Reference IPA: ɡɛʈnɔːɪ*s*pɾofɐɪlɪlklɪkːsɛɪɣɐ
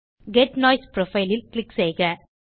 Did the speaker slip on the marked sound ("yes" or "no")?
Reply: no